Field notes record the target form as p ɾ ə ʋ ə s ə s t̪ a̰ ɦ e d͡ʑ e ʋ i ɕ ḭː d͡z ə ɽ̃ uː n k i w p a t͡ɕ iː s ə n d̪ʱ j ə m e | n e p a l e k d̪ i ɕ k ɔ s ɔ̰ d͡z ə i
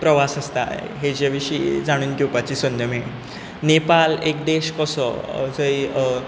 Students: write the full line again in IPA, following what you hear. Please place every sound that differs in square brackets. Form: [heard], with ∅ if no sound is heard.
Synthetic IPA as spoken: p ɾ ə ʋ [a] s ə s t̪ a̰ ɦ e d͡ʑ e ʋ i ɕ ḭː d͡z [a] ɽ̃ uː n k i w p a t͡ɕ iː s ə n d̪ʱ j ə m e | n e p a l e k d̪ [e] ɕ k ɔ s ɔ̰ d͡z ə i